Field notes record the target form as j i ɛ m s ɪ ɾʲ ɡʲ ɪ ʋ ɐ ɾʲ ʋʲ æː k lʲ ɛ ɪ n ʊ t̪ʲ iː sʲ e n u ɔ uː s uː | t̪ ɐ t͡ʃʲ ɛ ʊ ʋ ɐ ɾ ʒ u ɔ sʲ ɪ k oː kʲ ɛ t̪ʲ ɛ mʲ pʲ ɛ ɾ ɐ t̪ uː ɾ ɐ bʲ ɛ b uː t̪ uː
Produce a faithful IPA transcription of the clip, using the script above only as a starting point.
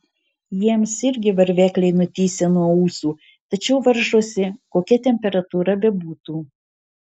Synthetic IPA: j i ɛ m s ɪ ɾʲ ɡʲ ɪ ʋ ɐ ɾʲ ʋʲ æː k lʲ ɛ ɪ n ʊ t̪ʲ iː sʲ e n u ɔ uː s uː | t̪ ɐ t͡ʃʲ ɛ ʊ ʋ ɐ ɾ ʒ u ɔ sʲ ɪ k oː kʲ ɛ t̪ʲ ɛ mʲ pʲ ɛ ɾ ɐ t̪ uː ɾ ɐ bʲ ɛ b uː t̪ uː